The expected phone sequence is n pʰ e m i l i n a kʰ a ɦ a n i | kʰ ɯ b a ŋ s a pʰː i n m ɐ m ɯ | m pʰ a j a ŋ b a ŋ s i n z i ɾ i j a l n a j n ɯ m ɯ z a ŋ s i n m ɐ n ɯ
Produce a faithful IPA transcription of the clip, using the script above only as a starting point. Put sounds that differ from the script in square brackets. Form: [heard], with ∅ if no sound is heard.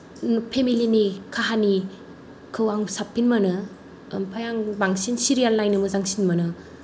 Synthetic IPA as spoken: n pʰ e m i l i n [i] kʰ a ɦ a n i | kʰ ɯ [w] a ŋ s a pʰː i n m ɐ [n] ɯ | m pʰ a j a ŋ b a ŋ s i n [s] i ɾ i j a l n a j n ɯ m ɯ z a ŋ s i n m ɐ n ɯ

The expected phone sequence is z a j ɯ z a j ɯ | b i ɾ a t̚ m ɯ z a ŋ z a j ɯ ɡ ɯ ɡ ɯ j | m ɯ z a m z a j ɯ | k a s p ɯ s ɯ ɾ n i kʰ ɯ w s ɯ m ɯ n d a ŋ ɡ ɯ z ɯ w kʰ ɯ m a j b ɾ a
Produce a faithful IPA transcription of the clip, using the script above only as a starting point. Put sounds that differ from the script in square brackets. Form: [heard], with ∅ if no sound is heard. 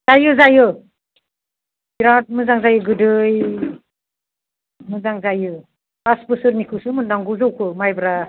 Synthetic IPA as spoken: z a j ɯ z a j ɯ | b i ɾ a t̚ m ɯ z a ŋ z a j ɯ ɡ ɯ [d] ɯ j | m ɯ z a [ŋ] z a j ɯ | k a s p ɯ s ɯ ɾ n i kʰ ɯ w s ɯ m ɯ n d a ŋ ɡ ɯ z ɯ w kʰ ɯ m a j b ɾ a

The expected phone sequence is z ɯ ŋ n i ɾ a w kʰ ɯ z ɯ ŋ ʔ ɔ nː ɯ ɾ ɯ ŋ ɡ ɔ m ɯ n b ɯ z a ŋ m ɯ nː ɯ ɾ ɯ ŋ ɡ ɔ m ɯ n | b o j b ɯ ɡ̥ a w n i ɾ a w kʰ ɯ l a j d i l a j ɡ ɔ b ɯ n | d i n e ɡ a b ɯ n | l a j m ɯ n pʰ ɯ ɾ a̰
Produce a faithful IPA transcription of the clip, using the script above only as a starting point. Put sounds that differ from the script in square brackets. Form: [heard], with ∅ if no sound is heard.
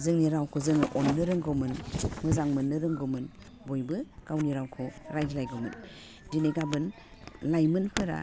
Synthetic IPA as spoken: z ɯ ŋ n i ɾ a w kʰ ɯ z ɯ ŋ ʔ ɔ nː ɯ ɾ ɯ ŋ ɡ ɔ m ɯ n [m] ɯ z a ŋ m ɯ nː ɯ ɾ ɯ ŋ ɡ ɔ m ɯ n | b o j b ɯ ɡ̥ a w n i ɾ a w kʰ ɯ [ɾ] a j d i l a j ɡ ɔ [m] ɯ n | d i n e ɡ a b ɯ n | l a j m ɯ n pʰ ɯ ɾ a̰

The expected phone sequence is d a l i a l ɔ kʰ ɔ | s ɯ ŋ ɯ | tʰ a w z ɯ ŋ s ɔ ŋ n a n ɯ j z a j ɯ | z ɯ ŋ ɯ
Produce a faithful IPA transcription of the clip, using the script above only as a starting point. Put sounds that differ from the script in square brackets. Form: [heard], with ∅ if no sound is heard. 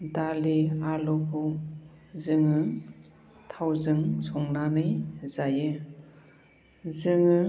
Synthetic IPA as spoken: d a l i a l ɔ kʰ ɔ | [z] ɯ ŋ ɯ | tʰ a w z ɯ ŋ s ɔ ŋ n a n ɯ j z a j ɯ | z ɯ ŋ ɯ

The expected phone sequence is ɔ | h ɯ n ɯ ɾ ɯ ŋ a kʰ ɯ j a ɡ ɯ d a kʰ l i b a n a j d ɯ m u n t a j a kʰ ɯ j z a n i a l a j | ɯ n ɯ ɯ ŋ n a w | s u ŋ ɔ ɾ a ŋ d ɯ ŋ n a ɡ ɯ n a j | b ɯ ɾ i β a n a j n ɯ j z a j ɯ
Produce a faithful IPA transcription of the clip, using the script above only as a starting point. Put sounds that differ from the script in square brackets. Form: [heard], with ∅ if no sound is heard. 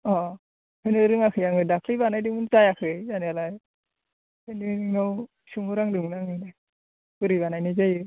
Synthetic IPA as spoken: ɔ | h ɯ n ɯ ɾ ɯ ŋ a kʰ ɯ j a [ŋ] ɯ d a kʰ l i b a n a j d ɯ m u n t a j a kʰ ɯ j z a n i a l a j | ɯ n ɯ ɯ ŋ n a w | s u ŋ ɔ ɾ a ŋ d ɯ ŋ n a [ŋ] ɯ n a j | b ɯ ɾ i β a n a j n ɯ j z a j ɯ

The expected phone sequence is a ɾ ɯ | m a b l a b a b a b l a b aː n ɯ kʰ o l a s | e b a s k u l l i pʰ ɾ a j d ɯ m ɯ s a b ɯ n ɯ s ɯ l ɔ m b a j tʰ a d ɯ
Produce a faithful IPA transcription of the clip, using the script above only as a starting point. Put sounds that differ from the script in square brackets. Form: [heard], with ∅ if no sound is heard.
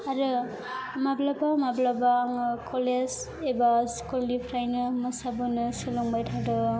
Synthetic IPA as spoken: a ɾ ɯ | m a b l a b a [m] a b l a b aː [ŋ] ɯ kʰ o l [e] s | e b a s k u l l i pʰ ɾ a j [n] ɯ m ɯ s a b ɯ n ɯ s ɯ l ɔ [ŋ] b a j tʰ a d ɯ

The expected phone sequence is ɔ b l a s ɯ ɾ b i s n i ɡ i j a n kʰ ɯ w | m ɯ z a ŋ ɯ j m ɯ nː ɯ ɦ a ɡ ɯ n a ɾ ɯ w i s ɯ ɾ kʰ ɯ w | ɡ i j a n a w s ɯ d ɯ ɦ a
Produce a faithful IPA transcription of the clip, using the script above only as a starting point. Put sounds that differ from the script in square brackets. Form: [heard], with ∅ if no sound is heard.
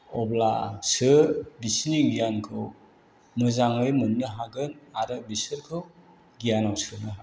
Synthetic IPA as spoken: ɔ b l a s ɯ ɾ b i s n i ɡ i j a n kʰ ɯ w | m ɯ z a ŋ ɯ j m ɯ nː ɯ ɦ a ɡ ɯ n a ɾ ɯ [b] i s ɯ ɾ kʰ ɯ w | ɡ i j a n a w s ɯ [n] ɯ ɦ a

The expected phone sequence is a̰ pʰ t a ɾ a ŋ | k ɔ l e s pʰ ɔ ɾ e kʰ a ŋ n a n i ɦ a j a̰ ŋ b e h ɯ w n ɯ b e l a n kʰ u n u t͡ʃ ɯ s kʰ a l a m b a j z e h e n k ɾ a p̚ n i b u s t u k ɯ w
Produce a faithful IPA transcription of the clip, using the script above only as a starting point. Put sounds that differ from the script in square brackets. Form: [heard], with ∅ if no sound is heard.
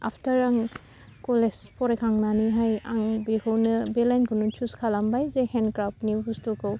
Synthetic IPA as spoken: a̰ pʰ t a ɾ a ŋ | k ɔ l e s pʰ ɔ ɾ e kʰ a ŋ n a n i ɦ a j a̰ ŋ b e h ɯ w n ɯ b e l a n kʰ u n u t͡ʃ [u] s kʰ a l a m b a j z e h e n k ɾ a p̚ n i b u s t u k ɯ w

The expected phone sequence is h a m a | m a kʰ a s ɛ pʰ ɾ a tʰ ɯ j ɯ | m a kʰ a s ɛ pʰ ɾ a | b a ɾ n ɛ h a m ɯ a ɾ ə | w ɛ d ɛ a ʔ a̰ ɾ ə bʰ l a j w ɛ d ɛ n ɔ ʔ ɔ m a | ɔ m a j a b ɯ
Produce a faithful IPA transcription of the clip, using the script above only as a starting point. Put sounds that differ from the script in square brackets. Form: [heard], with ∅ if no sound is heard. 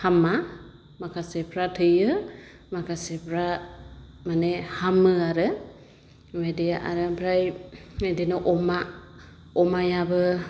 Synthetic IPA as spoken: h a m a | m a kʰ a s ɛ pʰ ɾ a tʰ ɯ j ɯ | m a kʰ a s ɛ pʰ ɾ a | [m] a [∅] n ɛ h a m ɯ a ɾ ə | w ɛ d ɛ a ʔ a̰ ɾ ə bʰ [ɾ] a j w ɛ d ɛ n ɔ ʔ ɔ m a | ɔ m a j a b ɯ

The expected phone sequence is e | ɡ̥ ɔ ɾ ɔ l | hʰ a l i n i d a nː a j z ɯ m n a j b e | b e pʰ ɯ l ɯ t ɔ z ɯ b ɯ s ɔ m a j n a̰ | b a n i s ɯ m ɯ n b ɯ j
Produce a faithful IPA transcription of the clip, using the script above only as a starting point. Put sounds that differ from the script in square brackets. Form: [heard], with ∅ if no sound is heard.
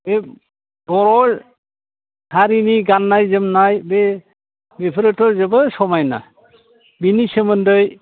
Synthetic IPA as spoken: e | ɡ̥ ɔ ɾ ɔ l | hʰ a [ɾ] i n i [ɡ] a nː a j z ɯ m n a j b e | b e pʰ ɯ [ɾ] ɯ t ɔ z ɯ b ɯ s ɔ m a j n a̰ | b [i] n i s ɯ m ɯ n [d] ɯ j

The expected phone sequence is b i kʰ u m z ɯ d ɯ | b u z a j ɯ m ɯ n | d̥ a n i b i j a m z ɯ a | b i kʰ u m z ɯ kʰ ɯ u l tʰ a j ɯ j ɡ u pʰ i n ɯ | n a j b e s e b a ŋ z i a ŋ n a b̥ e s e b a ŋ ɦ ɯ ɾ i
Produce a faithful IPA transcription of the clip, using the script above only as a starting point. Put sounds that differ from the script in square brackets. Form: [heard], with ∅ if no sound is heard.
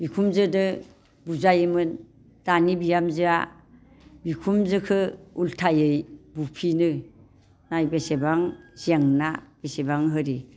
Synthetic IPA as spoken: b i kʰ u m z ɯ d ɯ | b u z a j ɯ m ɯ n | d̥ a n i b i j a m z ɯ a | b i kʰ u m z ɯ kʰ ɯ u l tʰ a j ɯ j [b] u pʰ i n ɯ | n a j b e s e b a ŋ z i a ŋ n a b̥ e s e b a ŋ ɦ ɯ ɾ i

